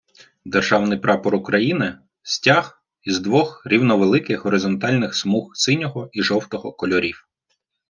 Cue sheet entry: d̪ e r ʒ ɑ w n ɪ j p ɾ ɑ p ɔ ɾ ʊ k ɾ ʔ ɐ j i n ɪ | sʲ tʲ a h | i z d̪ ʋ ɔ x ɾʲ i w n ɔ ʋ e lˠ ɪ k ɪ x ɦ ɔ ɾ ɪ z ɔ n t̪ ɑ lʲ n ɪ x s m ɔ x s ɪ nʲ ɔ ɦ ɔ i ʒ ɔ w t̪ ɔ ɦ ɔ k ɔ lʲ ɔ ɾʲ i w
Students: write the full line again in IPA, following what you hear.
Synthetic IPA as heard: d̪ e r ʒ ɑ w n ɪ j p ɾ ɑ p ɔ ɾ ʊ k ɾ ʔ ɐ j i n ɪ | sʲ tʲ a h | i z d̪ ʋ ɔ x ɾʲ i w n ɔ ʋ e lˠ ɪ k ɪ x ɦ ɔ ɾ ɪ z ɔ n t̪ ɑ lʲ n ɪ x s m u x s ɪ nʲ ɔ ɦ ɔ i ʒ ɔ w t̪ ɔ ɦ ɔ k ɔ lʲ ɔ ɾʲ i w